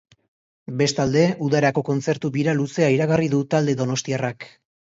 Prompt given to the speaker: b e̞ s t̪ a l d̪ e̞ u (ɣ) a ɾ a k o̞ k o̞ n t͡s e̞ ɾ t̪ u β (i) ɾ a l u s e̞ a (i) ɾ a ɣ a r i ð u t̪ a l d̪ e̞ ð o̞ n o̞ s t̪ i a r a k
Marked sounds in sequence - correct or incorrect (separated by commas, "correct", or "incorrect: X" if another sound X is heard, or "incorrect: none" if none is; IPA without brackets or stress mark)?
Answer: incorrect: ð, correct, correct